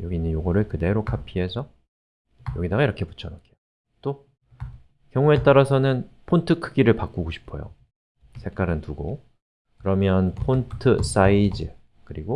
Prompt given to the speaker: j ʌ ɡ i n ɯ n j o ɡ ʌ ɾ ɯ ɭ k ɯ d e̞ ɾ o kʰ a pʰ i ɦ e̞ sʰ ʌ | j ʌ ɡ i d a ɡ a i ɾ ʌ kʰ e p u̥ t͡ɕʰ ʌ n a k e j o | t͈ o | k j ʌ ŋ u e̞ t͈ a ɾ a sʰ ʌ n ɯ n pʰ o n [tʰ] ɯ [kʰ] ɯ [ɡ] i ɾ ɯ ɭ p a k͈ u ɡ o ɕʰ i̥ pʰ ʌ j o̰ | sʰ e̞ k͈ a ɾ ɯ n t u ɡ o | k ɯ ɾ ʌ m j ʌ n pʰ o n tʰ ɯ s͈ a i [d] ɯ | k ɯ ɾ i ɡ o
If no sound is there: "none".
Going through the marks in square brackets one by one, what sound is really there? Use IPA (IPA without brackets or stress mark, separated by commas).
tʰ, kʰ, ɡ, d͡ʑ